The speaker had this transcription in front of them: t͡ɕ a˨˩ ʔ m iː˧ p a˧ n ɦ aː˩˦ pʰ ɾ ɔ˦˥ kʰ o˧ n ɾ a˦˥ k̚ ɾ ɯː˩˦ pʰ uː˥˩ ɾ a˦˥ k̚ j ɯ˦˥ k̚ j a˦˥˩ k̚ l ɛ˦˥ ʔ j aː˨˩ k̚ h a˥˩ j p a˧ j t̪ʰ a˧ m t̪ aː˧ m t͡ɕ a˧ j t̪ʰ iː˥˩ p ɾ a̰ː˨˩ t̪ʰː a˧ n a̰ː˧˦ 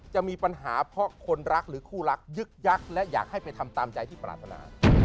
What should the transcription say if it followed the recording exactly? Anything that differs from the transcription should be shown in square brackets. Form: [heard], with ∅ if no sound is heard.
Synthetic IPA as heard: t͡ɕ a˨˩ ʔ m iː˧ p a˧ n ɦ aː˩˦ pʰ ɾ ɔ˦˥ kʰ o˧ n ɾ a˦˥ k̚ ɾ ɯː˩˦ [kʰ] uː˥˩ ɾ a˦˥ k̚ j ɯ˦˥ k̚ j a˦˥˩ k̚ l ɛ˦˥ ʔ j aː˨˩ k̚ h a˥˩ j p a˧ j t̪ʰ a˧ m t̪ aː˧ m t͡ɕ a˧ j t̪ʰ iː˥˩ p ɾ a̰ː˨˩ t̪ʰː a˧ n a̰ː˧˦